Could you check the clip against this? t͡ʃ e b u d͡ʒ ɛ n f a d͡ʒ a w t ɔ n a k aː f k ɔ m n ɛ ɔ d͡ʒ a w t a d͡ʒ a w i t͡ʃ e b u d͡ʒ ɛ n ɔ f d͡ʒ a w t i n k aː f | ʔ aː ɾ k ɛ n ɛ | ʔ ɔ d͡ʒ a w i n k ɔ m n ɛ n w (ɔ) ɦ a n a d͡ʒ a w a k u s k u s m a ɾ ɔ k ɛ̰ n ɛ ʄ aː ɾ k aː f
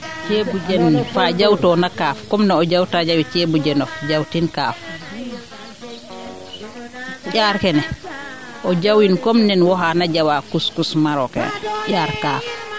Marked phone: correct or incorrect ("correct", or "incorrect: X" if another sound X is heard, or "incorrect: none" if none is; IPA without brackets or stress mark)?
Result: correct